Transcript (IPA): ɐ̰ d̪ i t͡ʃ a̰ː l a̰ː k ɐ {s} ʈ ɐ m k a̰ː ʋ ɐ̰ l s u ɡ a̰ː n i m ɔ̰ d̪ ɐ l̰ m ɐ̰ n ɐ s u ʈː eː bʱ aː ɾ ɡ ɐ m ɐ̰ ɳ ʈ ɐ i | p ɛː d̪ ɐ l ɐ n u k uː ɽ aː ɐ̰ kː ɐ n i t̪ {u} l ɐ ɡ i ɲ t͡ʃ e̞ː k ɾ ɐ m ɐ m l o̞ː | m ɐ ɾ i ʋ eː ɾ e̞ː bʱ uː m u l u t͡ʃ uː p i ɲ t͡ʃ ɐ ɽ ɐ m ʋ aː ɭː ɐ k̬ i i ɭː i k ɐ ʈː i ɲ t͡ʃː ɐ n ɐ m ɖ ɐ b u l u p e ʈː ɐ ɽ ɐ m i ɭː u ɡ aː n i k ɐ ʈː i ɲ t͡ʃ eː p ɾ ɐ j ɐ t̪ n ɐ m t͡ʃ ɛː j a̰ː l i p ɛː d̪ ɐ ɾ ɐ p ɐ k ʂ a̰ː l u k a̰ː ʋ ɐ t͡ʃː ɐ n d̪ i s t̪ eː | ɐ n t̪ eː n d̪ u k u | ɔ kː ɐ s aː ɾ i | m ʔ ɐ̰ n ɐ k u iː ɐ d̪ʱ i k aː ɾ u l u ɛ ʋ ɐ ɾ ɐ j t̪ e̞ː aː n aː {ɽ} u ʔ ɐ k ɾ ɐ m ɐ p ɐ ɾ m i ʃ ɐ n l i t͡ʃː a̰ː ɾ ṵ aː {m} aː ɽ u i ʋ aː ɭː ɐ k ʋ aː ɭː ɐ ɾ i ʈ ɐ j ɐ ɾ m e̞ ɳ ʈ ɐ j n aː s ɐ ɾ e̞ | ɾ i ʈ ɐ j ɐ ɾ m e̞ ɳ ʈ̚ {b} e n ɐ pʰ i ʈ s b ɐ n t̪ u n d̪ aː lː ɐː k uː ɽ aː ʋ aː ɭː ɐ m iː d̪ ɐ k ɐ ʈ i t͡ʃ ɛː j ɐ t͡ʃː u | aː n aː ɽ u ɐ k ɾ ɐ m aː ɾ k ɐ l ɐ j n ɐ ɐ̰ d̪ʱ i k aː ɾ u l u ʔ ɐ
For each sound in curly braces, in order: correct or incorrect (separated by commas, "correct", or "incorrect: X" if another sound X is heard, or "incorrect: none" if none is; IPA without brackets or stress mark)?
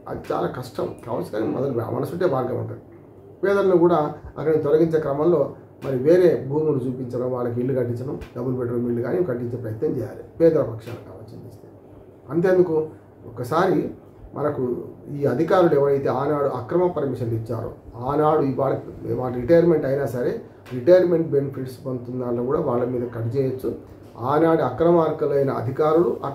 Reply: incorrect: ʂ, incorrect: ɔ, correct, incorrect: n, correct